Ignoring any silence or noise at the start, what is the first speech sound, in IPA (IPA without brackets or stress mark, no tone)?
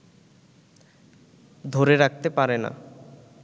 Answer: d̪ʱ